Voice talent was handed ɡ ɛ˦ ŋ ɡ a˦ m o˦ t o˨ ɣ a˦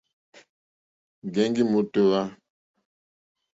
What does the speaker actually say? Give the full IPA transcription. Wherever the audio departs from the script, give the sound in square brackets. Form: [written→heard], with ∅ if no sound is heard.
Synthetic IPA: ɡ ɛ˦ ŋ ɡ [a˦→i˦] m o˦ t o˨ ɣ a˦